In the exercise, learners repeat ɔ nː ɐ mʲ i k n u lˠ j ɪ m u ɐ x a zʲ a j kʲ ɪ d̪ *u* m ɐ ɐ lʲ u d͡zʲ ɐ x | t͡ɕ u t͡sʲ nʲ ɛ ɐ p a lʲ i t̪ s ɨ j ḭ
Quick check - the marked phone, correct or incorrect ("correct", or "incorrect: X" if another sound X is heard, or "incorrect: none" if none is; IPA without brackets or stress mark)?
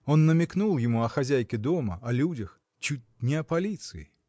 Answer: incorrect: ɔ